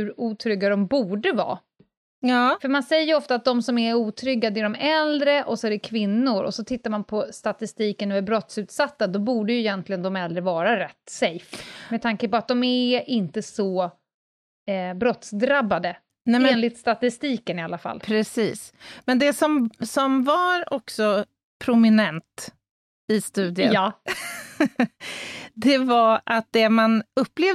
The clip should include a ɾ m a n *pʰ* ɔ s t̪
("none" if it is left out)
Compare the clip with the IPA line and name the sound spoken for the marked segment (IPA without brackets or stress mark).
pʰ